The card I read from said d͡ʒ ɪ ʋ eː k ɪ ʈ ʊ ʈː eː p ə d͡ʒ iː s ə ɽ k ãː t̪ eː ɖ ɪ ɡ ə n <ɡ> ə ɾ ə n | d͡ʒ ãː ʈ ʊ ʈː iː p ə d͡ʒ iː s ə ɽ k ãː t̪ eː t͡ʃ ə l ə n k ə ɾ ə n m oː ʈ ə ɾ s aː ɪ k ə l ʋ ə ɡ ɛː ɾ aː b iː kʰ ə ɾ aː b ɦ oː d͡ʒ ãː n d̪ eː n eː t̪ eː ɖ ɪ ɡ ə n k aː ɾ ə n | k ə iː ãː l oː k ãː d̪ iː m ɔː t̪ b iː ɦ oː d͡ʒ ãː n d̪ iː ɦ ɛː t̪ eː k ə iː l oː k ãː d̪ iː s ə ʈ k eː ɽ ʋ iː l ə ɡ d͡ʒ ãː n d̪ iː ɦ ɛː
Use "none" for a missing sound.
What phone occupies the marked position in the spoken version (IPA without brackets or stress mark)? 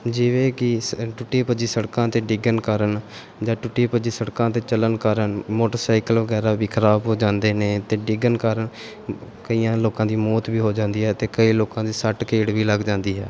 k